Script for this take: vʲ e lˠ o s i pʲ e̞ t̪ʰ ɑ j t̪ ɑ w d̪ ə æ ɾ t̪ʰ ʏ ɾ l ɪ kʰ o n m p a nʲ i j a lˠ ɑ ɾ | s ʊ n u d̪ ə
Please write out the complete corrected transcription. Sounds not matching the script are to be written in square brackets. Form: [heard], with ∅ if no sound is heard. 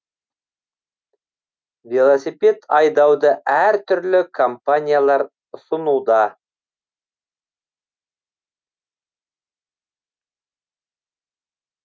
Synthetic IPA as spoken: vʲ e lˠ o s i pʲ e̞ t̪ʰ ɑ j [d̪] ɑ w d̪ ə æ ɾ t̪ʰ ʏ ɾ l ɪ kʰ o [∅] m p a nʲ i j a lˠ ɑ ɾ | s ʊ n u d̪ [ɑ]

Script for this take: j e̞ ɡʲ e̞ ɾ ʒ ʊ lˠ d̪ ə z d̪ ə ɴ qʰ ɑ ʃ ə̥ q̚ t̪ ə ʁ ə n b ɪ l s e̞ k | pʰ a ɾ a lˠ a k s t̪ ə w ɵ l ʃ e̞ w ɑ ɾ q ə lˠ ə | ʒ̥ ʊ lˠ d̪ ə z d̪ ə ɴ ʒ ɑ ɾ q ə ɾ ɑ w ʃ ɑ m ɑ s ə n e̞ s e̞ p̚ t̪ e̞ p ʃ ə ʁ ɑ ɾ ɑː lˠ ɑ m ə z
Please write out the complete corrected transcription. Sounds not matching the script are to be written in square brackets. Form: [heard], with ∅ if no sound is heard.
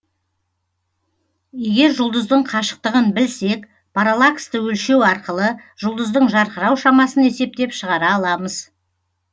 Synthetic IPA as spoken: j e̞ ɡʲ e̞ ɾ ʒ ʊ lˠ d̪ ə z d̪ ə ɴ qʰ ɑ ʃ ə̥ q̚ t̪ ə ʁ ə n b ɪ l s e̞ k | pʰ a ɾ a lˠ a k s t̪ ə w ɵ l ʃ e̞ w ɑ ɾ q ə lˠ ə | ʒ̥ ʊ lˠ d̪ ə z d̪ ə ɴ ʒ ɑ ɾ q ə ɾ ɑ w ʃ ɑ m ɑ s ə n e̞ s e̞ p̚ t̪ e̞ p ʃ ə ʁ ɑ ɾ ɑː lˠ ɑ m ə z

